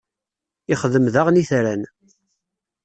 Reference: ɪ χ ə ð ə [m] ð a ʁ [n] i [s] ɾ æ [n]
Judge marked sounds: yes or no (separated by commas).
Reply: yes, yes, no, yes